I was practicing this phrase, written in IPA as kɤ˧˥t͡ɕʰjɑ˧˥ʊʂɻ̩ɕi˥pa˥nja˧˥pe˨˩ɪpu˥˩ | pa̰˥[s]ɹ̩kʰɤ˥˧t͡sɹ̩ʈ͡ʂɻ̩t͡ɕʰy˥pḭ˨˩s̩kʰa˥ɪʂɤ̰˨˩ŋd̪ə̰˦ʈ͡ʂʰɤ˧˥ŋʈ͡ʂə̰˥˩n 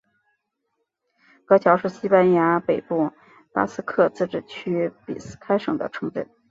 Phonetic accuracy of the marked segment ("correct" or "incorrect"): correct